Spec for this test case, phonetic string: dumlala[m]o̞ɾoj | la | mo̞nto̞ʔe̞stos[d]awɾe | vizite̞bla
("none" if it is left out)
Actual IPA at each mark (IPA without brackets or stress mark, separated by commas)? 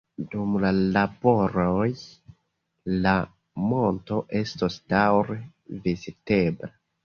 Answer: b, d